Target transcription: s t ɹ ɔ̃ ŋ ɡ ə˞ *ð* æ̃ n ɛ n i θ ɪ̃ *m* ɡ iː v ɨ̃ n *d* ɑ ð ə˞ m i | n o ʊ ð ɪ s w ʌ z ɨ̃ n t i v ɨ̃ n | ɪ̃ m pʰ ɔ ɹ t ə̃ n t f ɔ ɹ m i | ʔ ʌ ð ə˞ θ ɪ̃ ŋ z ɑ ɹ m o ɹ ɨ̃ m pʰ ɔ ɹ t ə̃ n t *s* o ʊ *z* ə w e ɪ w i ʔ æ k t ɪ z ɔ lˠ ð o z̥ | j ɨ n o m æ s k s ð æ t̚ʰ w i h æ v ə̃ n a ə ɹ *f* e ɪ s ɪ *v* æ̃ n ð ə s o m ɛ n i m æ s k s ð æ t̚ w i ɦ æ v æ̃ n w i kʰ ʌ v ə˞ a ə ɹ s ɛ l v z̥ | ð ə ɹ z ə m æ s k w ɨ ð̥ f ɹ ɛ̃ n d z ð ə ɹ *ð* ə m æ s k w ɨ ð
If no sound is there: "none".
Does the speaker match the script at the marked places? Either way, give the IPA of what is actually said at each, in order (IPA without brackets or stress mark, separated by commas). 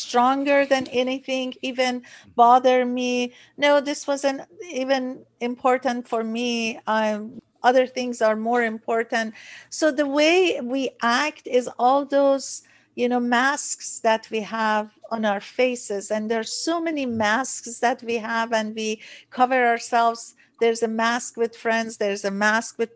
ð, ŋ, b, s, ð, f, z, z